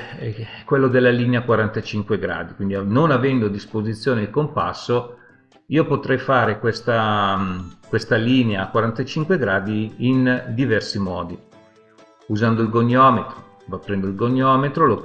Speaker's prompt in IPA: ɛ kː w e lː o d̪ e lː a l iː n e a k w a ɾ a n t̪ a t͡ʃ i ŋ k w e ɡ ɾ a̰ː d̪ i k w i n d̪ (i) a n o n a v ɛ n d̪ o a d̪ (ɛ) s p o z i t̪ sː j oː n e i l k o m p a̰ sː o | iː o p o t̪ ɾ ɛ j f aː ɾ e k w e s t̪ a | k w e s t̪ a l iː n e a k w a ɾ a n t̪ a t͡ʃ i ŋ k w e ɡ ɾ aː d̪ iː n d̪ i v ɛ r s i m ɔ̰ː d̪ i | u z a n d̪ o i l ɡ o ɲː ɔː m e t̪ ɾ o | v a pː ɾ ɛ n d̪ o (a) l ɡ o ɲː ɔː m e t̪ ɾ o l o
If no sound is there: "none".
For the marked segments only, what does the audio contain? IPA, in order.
i, i, i

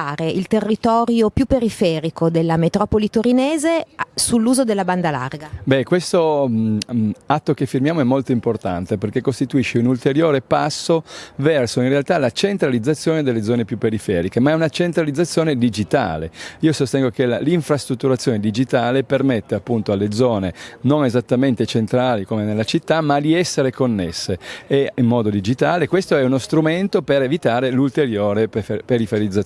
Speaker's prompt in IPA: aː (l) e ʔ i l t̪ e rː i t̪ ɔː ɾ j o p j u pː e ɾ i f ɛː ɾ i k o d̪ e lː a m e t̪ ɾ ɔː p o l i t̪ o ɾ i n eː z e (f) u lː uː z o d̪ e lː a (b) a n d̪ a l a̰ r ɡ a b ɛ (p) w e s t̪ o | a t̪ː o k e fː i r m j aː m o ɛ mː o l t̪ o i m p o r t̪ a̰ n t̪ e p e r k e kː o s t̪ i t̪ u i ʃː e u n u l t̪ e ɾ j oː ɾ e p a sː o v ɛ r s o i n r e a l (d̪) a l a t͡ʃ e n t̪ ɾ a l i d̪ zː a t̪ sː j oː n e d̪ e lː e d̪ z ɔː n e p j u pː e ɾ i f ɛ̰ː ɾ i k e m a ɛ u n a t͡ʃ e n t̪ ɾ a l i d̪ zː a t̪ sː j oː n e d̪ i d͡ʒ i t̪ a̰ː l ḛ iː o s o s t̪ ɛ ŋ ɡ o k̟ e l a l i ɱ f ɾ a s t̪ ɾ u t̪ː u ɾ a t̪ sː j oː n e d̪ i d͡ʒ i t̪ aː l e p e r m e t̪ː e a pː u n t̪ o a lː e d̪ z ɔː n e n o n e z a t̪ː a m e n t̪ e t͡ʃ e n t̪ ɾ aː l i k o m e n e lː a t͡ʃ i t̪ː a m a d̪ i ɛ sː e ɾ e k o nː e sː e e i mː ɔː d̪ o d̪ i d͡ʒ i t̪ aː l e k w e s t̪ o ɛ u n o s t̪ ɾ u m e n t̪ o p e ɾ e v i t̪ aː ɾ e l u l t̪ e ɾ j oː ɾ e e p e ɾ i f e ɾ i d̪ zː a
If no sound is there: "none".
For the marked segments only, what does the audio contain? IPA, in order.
ɾ, s, b, k, t̪

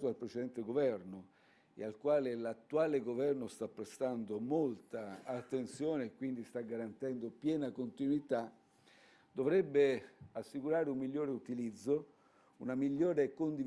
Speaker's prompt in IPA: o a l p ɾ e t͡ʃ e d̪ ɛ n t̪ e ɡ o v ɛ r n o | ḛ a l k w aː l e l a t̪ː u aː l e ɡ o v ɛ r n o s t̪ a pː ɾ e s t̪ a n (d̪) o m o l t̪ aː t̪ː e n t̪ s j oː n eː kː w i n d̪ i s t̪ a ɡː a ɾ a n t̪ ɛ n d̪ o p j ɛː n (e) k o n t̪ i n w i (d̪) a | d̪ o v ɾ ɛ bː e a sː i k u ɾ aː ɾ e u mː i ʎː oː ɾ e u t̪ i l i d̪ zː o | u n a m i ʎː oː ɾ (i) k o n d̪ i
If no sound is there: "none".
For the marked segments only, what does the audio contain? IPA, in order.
d̪, a, t̪, e

